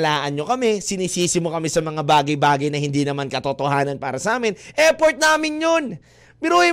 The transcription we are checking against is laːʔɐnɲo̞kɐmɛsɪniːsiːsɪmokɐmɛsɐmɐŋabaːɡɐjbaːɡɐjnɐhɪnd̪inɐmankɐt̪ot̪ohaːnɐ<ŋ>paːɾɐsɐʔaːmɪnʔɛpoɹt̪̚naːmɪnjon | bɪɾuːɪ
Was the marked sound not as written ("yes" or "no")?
yes